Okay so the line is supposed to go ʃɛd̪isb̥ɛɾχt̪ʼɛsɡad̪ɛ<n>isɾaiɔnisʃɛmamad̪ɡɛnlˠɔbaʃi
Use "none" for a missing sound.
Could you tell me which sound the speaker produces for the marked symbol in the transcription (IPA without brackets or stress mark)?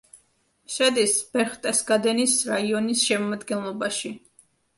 n